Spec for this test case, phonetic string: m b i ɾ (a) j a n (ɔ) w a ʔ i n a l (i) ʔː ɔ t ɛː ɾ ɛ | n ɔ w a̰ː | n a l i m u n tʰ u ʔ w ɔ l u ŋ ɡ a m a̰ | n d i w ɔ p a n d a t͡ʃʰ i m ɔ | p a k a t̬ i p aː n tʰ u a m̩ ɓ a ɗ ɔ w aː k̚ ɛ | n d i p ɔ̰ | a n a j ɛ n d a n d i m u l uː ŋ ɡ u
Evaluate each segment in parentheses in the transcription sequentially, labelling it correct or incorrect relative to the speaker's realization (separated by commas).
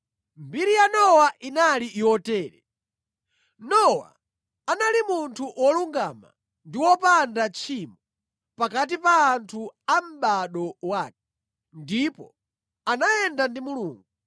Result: incorrect, correct, correct